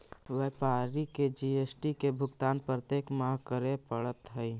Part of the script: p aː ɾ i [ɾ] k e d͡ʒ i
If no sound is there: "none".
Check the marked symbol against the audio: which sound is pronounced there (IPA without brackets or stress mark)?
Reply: none